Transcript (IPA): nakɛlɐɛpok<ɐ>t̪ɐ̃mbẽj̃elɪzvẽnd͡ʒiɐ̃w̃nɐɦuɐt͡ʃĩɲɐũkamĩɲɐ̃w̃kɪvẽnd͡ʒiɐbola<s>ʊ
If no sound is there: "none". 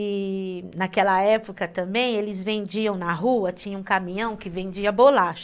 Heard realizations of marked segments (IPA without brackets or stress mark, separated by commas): ɐ, ʃ